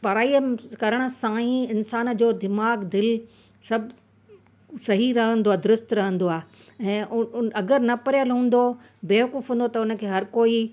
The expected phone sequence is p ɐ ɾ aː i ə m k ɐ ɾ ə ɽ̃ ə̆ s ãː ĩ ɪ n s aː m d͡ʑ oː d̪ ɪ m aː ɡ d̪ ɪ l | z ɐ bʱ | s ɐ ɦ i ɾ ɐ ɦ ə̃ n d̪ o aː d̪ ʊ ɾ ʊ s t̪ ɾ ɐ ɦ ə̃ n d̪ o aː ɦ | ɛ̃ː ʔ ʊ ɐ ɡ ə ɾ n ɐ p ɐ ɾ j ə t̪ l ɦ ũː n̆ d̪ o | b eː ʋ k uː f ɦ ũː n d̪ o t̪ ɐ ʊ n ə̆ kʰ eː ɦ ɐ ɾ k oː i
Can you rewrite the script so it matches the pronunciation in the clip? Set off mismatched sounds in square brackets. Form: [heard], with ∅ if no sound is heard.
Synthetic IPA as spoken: p ɐ ɾ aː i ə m k ɐ ɾ ə ɽ̃ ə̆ s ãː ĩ ɪ n s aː [n] d͡ʑ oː d̪ ɪ m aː ɡ d̪ ɪ l | [s] ɐ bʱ | s ɐ ɦ i ɾ ɐ ɦ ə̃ n d̪ o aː d̪ ʊ ɾ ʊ s t̪ ɾ ɐ ɦ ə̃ n d̪ o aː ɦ | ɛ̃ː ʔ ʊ ɐ ɡ ə ɾ n ɐ p ɐ ɾ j ə [∅] l ɦ ũː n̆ d̪ o | b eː ʋ k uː f ɦ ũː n d̪ o t̪ ɐ ʊ n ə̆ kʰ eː ɦ ɐ ɾ k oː i